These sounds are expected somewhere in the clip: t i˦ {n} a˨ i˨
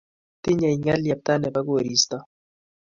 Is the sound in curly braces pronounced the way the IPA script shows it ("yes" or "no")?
no